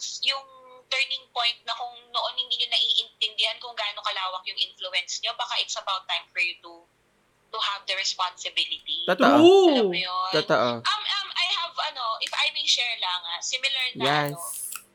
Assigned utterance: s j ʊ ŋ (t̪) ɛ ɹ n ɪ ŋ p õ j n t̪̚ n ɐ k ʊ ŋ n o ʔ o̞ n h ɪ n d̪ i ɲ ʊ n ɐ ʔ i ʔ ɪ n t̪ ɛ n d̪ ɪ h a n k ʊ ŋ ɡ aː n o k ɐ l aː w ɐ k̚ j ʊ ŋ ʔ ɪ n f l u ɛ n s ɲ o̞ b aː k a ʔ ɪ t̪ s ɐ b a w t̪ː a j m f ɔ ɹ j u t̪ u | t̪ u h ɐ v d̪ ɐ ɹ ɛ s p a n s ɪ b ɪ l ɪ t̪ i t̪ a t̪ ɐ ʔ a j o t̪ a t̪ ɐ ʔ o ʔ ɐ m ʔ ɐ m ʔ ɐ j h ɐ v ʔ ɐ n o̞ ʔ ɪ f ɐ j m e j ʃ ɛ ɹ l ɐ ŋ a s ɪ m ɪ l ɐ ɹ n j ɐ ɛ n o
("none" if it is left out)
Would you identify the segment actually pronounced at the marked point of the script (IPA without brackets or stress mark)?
t̪